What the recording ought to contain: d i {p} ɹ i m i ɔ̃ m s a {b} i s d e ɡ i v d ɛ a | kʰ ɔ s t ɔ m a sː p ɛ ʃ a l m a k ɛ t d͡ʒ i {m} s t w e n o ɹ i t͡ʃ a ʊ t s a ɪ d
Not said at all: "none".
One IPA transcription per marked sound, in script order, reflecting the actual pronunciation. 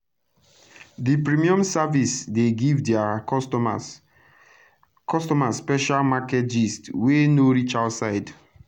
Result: p, v, none

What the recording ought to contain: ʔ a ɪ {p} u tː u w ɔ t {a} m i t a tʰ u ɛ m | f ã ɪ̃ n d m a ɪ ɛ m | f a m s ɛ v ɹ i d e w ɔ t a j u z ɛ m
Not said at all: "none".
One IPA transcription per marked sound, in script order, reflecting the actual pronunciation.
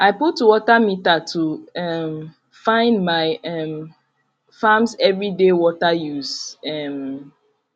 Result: p, a

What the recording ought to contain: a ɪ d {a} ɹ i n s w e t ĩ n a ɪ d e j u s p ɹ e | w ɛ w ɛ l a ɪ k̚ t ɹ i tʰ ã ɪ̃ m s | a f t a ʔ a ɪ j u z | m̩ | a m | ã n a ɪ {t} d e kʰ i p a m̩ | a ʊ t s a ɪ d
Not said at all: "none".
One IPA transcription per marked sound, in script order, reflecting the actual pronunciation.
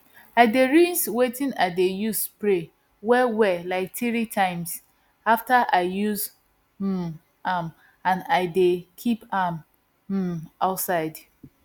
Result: e, none

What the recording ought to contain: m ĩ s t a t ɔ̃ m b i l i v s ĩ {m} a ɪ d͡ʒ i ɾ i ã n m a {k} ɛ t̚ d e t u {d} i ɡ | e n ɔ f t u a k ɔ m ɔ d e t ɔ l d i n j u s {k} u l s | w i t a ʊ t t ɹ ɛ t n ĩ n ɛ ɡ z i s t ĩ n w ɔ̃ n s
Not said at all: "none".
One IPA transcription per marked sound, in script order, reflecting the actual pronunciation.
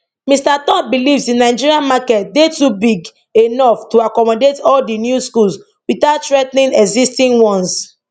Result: n, k, b, k

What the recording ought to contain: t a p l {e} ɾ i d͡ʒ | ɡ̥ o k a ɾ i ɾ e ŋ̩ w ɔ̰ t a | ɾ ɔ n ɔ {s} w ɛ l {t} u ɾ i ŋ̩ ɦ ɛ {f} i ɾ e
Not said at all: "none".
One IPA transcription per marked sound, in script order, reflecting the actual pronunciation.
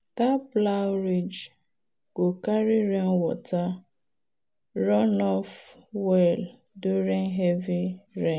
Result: a, f, d, v

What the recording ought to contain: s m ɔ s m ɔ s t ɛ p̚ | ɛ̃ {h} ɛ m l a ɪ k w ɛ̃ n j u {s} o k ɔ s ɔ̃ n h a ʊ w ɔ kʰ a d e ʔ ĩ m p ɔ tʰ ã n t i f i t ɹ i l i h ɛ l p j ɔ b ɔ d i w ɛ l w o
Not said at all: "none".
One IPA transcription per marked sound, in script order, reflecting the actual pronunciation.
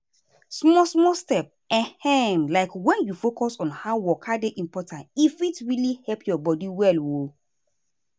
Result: h, f

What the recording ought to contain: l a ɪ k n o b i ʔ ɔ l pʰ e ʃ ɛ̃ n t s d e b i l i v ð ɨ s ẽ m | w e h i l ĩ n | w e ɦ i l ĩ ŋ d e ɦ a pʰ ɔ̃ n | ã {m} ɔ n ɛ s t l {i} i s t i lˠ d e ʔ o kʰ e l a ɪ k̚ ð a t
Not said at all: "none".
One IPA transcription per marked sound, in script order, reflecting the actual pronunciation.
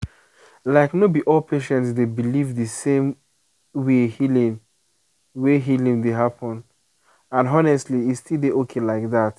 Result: n, i

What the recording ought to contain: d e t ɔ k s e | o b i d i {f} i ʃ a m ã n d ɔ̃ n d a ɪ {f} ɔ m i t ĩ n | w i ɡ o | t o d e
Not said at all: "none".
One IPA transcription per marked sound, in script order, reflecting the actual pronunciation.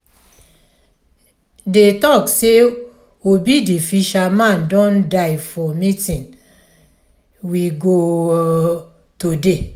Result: f, f

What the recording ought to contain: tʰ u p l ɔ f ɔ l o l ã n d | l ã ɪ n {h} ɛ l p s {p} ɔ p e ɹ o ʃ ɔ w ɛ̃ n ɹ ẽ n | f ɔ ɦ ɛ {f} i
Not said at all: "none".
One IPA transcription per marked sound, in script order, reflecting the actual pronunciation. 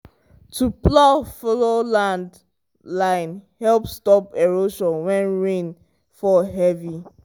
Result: h, t, v

